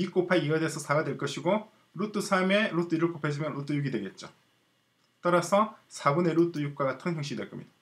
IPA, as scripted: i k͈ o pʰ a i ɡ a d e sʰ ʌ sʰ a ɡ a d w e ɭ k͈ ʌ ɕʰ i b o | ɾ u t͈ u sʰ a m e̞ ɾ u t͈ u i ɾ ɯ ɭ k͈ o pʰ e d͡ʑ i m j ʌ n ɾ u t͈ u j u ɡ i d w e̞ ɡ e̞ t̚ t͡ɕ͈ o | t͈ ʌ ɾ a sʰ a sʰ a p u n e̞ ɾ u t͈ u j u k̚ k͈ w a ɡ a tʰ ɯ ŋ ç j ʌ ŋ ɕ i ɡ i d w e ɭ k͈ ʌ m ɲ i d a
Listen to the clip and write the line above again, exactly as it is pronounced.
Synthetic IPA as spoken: i k͈ o pʰ a i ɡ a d e sʰ ʌ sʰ a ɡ a d w e ɭ k͈ ʌ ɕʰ i ɡ o | ɾ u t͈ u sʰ a m e̞ ɾ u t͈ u i ɾ ɯ ɭ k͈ o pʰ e d͡ʑ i m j ʌ n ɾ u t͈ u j u ɡ i d w e̞ ɡ e̞ t̚ t͡ɕ͈ o | t͈ ʌ ɾ a sʰ ʌ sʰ a b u n e̞ ɾ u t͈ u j u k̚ k͈ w a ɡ a tʰ ɯ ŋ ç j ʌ ŋ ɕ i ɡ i d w e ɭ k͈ ʌ m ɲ i d a